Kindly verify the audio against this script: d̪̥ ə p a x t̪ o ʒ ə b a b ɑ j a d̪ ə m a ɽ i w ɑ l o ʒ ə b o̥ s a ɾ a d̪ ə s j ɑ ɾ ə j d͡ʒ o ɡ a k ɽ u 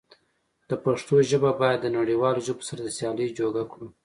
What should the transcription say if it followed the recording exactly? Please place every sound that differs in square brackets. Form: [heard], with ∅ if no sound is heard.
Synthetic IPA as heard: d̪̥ ə p a [ʂ] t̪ o ʒ ə b a b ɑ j a [d̪ː] ə [n] a ɽ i w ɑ l o ʒ ə b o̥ s a ɾ a d̪ ə s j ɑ [l] ə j d͡ʒ o ɡ a k ɽ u